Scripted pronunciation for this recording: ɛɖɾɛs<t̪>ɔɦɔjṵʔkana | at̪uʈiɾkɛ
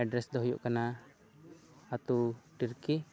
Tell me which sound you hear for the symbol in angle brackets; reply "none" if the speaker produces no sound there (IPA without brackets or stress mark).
d̪